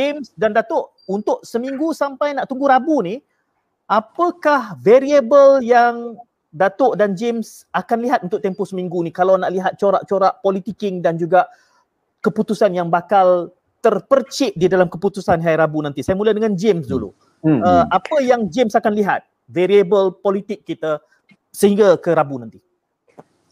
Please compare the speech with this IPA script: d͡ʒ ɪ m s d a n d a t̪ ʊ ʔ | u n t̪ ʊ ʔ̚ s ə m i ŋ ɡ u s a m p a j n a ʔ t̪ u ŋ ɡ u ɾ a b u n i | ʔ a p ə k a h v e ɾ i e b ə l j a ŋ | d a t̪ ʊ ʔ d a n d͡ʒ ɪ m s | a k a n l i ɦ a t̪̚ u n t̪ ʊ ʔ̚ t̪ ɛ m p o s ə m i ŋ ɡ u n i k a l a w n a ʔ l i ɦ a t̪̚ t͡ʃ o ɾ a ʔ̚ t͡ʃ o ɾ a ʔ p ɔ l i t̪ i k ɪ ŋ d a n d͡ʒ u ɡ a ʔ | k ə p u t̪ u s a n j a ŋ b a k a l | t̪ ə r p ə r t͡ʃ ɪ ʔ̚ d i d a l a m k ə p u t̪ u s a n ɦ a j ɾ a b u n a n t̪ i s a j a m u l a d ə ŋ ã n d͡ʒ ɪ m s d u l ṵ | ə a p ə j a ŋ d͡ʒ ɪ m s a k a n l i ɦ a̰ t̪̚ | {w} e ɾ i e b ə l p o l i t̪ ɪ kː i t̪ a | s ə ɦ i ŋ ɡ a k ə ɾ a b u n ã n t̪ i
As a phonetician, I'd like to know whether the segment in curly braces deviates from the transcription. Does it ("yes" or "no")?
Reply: yes